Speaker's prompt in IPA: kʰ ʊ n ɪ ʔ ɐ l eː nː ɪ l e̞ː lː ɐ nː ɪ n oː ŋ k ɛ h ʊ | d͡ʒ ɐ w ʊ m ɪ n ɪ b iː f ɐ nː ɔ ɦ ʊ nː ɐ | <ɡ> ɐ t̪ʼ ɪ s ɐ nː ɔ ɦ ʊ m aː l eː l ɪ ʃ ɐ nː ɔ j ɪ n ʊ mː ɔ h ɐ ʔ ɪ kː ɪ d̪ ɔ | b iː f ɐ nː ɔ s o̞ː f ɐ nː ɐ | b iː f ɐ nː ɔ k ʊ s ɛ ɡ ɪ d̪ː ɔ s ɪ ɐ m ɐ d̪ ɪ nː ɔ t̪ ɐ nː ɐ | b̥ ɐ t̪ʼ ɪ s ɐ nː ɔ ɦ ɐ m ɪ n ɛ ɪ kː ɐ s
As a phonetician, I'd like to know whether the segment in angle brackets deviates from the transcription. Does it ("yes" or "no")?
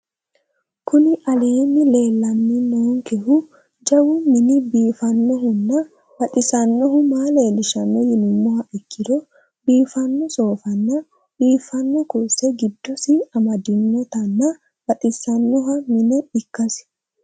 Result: yes